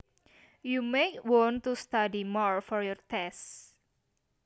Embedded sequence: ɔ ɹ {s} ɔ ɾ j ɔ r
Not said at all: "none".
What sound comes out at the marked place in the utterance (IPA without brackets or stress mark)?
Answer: f